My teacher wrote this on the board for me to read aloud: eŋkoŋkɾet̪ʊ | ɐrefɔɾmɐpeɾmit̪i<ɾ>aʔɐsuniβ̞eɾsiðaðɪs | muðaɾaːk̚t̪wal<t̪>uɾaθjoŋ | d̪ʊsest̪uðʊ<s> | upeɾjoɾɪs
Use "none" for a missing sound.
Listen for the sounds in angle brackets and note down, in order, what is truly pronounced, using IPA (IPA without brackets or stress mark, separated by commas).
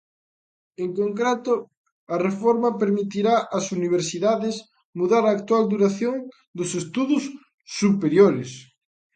ɾ, d̪, sː